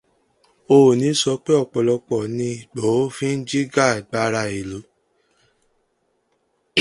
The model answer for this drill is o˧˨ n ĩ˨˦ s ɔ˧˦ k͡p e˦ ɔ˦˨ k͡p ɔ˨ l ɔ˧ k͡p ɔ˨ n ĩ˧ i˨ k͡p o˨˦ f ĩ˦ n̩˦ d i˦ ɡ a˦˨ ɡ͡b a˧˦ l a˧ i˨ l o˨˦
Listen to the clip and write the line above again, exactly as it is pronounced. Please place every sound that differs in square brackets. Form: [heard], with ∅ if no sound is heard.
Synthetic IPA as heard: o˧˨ n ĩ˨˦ s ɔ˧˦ k͡p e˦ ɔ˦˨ k͡p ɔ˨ l ɔ˧ k͡p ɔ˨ n ĩ˧ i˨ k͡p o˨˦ f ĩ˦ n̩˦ [d͡ʒ] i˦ ɡ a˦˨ ɡ͡b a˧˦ [ɾ] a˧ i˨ l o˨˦